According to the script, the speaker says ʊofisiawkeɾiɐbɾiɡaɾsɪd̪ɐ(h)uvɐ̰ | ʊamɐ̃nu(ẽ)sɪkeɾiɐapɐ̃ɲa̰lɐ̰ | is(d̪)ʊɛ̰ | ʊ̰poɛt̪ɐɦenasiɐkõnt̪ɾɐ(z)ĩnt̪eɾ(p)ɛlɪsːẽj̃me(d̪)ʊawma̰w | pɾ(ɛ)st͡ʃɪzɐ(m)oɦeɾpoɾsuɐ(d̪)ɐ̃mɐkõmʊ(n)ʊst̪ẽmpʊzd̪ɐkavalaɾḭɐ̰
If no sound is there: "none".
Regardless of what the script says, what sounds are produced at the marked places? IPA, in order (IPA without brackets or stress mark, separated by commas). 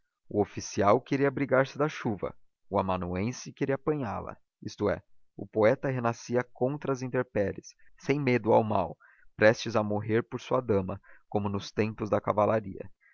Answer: ʃ, ẽ, t̪, z, p, d̪, ɛ, m, d̪, n